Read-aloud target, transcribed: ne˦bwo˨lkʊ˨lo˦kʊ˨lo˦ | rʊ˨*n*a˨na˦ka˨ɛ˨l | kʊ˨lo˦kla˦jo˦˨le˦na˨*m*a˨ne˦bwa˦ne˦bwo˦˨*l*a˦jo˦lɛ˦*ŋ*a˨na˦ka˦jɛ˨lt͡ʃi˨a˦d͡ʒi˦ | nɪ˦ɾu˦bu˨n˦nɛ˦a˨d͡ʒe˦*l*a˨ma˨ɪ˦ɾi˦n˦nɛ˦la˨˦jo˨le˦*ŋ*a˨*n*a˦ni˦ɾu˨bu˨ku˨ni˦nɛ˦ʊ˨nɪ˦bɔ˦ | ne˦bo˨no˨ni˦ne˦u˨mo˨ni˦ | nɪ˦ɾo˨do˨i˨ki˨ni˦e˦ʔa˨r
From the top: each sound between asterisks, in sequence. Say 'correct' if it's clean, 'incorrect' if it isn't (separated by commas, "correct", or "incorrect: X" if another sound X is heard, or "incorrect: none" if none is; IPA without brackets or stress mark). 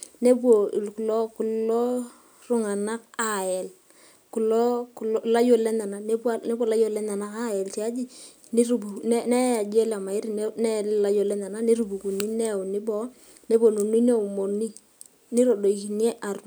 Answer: incorrect: ŋ, incorrect: n, correct, incorrect: n, correct, incorrect: n, correct